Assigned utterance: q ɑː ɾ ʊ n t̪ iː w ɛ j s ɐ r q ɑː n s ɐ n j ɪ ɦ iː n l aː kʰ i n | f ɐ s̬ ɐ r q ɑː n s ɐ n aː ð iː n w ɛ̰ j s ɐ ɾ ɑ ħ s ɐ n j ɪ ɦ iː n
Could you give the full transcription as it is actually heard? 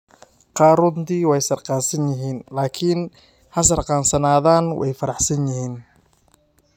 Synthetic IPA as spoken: q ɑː ɾ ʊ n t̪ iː w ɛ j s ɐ r q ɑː n s ɐ n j ɪ ɦ iː n l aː kʰ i n | h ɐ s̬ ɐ r q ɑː n s ɐ n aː ð aː n w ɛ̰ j f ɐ ɾ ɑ ħ s ɐ n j ɪ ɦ iː n